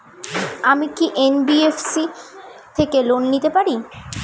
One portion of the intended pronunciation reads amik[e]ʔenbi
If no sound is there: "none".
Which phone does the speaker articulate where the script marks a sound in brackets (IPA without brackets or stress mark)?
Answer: i